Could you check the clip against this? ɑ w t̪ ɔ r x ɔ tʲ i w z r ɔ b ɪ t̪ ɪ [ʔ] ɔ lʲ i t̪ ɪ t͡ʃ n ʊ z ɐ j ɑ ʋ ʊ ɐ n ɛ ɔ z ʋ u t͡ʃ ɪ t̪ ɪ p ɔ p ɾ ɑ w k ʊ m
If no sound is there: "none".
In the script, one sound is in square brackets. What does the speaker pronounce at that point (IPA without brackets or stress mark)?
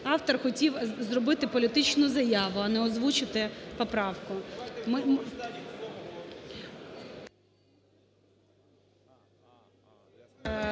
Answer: p